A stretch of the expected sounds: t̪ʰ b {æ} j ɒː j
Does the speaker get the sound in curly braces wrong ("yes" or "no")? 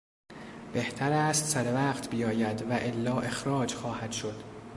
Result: yes